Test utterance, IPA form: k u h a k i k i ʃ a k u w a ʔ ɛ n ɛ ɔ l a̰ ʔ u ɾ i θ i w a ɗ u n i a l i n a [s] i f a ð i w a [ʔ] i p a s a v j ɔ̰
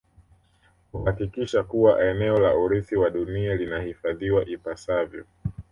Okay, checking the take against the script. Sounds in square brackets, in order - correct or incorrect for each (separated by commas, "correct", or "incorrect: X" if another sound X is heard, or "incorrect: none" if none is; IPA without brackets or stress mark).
incorrect: h, correct